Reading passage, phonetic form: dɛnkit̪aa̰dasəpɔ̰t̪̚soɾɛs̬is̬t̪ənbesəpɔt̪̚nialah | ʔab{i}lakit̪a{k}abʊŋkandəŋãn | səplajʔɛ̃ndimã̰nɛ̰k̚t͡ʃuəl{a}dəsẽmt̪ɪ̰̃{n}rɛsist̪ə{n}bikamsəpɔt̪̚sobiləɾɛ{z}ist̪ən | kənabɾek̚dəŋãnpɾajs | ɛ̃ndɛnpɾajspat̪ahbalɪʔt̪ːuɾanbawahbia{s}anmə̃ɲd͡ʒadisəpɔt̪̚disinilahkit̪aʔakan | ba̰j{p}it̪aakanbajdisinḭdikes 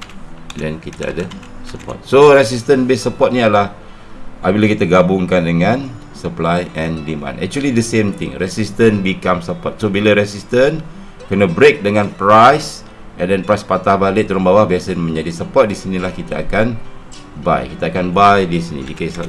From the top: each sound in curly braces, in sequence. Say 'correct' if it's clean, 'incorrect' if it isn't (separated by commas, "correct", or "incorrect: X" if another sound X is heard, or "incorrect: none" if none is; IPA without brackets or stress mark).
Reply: correct, incorrect: ɡ, incorrect: i, incorrect: ŋ, correct, incorrect: s, correct, incorrect: k